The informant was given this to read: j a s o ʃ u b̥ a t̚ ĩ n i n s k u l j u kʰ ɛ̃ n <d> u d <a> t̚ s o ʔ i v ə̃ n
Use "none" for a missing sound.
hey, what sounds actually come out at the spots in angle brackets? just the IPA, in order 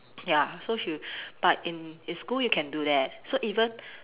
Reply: d, ɛ

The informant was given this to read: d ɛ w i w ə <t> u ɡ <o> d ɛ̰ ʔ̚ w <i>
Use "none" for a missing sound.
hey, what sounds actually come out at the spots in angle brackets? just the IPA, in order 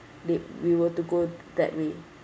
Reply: t, o, e

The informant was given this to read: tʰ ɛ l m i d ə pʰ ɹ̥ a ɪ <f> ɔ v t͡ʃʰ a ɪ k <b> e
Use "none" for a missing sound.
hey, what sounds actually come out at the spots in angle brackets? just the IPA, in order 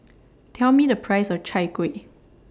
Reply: s, w

